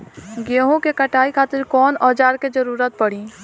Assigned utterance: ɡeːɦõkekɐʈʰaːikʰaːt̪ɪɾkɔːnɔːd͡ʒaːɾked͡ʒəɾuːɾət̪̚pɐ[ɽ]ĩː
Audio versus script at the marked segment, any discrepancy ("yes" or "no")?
no